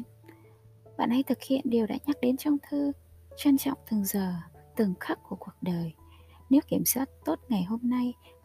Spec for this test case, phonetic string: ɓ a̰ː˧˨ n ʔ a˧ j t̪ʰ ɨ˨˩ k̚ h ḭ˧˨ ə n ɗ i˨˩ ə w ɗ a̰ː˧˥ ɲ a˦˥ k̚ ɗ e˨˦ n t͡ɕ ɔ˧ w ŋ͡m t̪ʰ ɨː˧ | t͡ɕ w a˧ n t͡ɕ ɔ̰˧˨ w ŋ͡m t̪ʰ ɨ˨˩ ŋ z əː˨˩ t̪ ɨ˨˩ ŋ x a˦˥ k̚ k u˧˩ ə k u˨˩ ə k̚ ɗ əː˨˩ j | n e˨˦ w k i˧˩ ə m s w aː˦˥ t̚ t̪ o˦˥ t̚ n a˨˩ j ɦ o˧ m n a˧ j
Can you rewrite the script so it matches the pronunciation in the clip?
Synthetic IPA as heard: ɓ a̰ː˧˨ n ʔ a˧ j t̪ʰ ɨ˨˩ k̚ h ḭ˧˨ ə n ɗ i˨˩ ə w ɗ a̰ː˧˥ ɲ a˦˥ k̚ ɗ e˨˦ n t͡ɕ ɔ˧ w ŋ͡m t̪ʰ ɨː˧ | t͡ɕ w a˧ n t͡ɕ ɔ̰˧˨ w ŋ͡m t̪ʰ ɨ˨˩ ŋ z əː˨˩ t̪ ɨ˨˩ ŋ x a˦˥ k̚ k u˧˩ ə k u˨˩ ə k̚ ɗ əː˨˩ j | n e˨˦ w k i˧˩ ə m s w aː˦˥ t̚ t̪ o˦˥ t̚ ŋ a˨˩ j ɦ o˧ m n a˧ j